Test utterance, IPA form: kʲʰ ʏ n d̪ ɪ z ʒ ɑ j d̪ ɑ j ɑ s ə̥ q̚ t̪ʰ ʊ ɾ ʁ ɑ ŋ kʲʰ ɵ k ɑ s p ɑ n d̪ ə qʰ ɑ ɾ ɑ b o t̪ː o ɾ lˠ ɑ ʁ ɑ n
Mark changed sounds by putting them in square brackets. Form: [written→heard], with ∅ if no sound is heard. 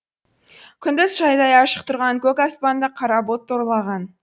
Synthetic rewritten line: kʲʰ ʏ n d̪ ɪ z ʒ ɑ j d̪ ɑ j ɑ [s→ʃ] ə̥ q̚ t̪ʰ ʊ ɾ ʁ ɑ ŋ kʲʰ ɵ k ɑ s p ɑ n d̪ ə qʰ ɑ ɾ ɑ b o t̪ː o ɾ lˠ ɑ ʁ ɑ n